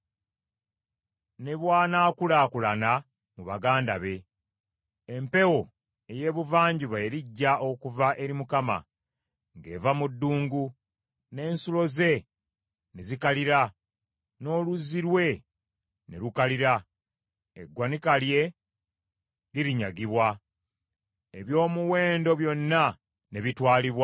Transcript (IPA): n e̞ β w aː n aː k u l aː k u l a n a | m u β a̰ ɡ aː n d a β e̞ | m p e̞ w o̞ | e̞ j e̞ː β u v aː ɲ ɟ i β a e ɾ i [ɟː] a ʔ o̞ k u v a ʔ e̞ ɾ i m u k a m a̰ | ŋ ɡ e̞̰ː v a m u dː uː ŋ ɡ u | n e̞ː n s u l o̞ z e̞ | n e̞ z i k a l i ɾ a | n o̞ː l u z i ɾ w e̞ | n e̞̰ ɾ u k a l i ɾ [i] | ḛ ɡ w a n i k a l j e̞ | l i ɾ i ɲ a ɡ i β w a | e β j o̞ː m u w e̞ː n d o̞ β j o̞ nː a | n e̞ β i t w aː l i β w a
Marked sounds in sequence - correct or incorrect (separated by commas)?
correct, incorrect